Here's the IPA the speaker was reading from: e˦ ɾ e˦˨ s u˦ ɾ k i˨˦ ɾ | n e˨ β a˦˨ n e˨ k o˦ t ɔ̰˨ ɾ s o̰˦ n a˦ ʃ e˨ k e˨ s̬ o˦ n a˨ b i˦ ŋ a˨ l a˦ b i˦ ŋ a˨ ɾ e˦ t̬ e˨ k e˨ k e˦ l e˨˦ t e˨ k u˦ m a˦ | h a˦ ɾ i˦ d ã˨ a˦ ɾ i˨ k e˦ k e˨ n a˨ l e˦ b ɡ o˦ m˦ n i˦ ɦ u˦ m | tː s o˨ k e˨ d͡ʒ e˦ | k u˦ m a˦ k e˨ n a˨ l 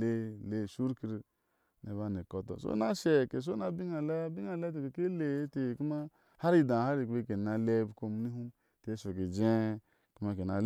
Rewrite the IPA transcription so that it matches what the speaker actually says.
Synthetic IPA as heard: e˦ l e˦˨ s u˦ ɾ k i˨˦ ɾ | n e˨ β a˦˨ n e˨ k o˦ t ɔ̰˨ s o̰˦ n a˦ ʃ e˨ k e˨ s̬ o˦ n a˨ b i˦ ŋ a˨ l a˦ b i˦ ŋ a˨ l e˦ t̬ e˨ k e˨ k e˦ l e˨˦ t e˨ k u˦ m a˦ | h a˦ ɾ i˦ d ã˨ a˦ ɾ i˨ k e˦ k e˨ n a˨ l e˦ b k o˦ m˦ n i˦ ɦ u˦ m | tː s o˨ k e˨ d͡ʒ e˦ | k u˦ m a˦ k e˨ n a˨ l